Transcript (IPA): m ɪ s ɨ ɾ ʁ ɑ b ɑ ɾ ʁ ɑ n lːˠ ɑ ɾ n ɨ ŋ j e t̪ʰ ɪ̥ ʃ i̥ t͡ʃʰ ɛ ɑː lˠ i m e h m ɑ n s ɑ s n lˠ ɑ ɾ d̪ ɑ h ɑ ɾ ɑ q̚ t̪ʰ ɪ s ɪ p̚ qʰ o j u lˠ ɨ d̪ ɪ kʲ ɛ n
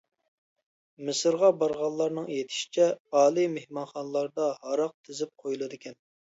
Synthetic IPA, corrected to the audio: m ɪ s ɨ ɾ ʁ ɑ b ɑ ɾ ʁ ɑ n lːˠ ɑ ɾ n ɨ ŋ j e t̪ʰ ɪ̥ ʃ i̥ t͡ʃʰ ɛ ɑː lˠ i m e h m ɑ n χ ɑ n lˠ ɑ ɾ d̪ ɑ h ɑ ɾ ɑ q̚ t̪ʰ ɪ z ɪ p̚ qʰ o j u lˠ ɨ d̪ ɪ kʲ ɛ n